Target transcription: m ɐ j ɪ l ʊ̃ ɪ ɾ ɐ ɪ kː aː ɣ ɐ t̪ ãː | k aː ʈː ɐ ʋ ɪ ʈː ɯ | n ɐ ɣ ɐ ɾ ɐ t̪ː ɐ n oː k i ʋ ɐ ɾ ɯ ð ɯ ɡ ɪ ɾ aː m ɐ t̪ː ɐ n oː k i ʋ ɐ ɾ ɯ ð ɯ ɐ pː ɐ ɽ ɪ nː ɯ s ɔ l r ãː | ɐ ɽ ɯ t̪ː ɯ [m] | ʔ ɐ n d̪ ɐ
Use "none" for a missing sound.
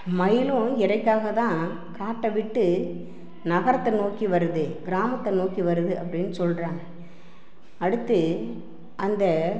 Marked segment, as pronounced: none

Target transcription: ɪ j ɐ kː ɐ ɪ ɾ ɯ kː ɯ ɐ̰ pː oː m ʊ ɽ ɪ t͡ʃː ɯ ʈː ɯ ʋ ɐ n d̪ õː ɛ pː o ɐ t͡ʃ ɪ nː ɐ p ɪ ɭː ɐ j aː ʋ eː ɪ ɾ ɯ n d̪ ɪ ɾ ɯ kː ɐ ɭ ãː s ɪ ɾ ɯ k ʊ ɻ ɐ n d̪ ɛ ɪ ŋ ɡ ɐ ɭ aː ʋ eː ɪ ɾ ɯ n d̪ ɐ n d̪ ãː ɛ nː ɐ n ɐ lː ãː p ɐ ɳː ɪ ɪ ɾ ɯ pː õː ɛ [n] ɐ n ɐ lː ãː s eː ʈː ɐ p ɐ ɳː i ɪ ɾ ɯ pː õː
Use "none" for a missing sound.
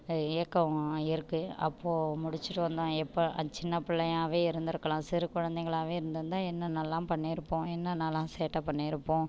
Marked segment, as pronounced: nː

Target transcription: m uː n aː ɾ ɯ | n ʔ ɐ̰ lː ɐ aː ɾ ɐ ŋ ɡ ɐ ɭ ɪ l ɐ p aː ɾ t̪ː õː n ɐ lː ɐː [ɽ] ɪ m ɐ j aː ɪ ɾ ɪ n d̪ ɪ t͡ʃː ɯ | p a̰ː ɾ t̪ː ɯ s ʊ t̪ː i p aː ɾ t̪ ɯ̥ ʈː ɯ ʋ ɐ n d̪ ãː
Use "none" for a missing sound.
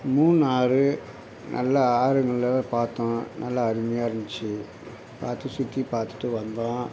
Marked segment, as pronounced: ɾ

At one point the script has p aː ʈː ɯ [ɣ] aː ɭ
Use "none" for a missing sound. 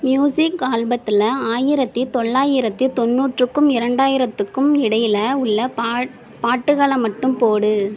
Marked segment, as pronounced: ɣ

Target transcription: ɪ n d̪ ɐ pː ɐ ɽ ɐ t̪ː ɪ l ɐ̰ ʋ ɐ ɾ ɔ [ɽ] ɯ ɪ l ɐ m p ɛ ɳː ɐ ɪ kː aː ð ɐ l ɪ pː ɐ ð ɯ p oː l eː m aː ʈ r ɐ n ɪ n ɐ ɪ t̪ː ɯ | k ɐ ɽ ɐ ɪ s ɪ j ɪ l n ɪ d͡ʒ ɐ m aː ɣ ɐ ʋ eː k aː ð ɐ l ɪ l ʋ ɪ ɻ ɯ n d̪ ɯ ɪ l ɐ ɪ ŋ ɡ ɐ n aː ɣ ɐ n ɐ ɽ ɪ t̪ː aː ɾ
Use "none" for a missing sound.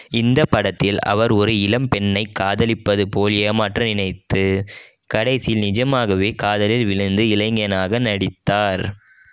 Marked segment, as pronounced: ɾ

